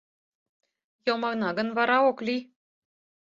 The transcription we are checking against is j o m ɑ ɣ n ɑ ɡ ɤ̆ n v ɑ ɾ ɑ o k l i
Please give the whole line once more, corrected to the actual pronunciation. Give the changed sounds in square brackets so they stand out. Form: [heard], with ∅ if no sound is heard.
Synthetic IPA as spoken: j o m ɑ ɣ n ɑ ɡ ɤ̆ n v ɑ ɾ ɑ o k l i